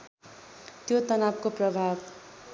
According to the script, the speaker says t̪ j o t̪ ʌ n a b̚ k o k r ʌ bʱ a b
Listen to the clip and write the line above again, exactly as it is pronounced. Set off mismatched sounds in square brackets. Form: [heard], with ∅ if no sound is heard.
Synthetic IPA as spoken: t̪ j o t̪ ʌ n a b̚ k o [p] r ʌ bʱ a b